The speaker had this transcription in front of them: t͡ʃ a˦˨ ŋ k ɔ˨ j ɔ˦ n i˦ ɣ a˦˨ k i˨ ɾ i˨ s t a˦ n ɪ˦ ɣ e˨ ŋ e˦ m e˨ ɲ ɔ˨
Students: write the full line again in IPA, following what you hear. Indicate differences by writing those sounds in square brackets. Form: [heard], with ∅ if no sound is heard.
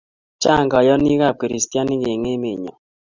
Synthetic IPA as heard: t͡ʃ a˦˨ ŋ [ɡ] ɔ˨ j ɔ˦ n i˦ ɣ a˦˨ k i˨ ɾ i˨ s t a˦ n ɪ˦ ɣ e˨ ŋ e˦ m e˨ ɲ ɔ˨